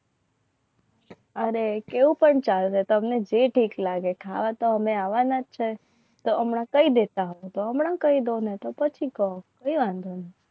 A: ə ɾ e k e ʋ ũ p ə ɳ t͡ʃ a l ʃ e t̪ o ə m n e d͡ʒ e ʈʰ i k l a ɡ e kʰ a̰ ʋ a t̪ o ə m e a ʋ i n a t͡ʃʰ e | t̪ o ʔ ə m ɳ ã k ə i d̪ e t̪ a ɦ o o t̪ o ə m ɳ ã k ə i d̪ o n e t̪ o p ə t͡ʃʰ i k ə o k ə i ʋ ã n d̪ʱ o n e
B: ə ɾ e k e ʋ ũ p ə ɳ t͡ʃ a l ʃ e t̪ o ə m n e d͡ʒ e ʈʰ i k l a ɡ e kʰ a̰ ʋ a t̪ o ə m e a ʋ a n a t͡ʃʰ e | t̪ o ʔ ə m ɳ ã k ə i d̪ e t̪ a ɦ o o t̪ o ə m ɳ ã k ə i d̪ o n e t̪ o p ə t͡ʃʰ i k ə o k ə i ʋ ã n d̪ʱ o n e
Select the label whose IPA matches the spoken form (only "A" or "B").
B